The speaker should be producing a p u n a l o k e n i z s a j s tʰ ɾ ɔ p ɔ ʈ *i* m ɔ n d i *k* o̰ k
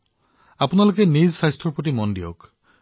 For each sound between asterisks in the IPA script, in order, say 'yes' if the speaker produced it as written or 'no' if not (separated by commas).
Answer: yes, no